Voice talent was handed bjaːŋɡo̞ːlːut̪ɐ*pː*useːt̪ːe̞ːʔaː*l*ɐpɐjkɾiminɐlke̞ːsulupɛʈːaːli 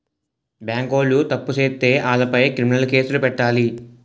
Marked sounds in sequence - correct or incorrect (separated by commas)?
correct, correct